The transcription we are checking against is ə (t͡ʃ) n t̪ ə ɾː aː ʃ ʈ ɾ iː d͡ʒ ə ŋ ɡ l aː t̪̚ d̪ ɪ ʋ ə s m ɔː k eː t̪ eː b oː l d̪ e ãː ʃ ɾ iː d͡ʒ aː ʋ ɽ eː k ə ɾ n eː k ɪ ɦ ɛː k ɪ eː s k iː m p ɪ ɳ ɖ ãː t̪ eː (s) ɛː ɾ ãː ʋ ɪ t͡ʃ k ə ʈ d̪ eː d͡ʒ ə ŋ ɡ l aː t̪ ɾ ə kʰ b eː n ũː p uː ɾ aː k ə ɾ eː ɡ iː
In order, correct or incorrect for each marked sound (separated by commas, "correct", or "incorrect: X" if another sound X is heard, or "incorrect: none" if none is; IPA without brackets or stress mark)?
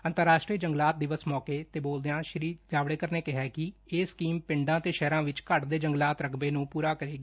incorrect: none, incorrect: ʃ